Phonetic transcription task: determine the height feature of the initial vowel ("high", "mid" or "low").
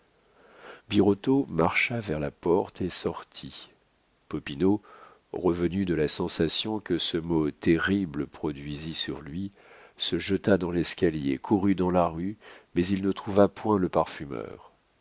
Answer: high